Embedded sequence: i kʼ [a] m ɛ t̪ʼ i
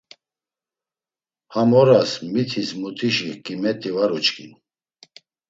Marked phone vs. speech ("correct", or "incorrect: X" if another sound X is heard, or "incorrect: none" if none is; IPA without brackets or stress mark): incorrect: i